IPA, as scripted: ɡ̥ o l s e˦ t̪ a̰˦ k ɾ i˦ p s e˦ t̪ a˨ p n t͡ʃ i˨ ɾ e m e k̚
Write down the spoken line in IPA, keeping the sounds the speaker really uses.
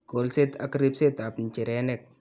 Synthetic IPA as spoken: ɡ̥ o l s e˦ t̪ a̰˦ k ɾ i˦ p s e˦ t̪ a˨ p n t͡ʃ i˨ ɾ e n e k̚